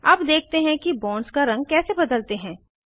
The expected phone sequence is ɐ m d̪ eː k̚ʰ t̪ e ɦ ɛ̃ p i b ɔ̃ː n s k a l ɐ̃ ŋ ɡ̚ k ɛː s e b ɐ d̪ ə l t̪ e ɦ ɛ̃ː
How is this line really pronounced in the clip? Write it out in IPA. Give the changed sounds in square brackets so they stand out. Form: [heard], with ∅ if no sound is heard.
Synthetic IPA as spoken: ɐ [b] d̪ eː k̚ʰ t̪ e ɦ ɛ̃ [k] i b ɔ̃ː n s k a [ɾ] ɐ̃ ŋ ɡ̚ k ɛː s e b ɐ d̪ ə l t̪ e ɦ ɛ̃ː